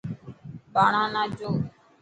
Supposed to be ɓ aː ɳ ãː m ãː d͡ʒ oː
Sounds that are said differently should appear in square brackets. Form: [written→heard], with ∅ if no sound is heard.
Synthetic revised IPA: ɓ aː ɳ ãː [m→n] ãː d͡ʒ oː